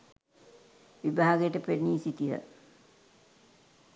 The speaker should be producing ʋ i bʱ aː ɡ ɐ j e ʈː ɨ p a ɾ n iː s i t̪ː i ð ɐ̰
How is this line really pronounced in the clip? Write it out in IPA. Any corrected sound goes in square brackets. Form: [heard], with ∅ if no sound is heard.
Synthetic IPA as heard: ʋ i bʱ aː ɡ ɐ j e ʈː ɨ p [e] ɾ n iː s i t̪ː i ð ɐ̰